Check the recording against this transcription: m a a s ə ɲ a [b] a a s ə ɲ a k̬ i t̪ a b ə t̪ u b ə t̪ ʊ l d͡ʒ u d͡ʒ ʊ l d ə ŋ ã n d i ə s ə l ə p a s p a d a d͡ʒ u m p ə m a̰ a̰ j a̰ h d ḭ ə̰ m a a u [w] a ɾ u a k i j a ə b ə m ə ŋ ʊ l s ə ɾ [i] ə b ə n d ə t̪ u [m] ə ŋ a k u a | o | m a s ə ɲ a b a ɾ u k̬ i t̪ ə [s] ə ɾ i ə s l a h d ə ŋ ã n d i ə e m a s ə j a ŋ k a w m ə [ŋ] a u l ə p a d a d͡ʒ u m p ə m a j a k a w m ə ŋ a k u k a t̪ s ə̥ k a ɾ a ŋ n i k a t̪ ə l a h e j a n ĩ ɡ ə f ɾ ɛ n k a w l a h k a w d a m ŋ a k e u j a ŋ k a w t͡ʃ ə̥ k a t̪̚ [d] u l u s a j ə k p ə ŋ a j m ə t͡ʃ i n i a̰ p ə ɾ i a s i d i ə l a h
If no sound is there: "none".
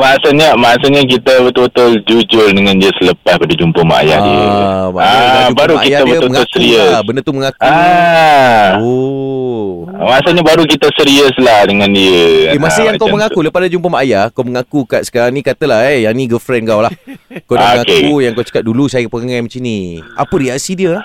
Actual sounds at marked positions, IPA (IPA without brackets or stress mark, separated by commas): m, b, i, m, s, ŋ, d